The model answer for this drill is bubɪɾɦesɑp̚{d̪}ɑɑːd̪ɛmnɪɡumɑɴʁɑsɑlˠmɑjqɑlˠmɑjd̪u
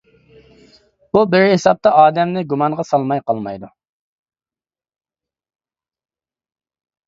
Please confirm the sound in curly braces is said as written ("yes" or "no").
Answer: no